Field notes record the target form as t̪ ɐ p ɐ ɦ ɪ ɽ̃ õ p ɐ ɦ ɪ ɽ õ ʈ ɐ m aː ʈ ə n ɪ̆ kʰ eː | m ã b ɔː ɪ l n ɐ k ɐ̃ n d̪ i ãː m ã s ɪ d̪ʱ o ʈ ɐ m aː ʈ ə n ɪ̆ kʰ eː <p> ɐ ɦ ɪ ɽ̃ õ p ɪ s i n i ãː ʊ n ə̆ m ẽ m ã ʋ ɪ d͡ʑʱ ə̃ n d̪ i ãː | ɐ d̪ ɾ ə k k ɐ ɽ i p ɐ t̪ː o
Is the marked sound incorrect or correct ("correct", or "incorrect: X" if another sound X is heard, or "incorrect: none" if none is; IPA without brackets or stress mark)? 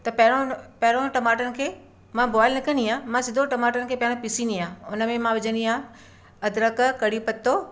correct